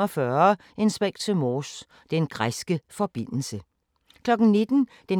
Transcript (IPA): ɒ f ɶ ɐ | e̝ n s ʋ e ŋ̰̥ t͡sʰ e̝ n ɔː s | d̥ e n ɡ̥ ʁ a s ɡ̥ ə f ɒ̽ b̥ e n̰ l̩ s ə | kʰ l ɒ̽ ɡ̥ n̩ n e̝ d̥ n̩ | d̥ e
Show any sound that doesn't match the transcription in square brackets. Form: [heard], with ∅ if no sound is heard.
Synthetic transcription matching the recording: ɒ f ɶ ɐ | e̝ n s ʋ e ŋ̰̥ t͡sʰ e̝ [m] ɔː s | d̥ e n ɡ̥ ʁ a s ɡ̥ ə f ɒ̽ b̥ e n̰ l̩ s ə | kʰ l ɒ̽ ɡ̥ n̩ n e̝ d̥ n̩ | d̥ e